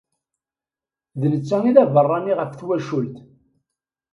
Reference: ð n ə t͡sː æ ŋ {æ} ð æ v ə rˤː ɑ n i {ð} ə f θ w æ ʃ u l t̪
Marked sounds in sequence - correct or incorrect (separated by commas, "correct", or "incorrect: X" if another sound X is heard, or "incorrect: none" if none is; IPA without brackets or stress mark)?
incorrect: i, incorrect: ʁ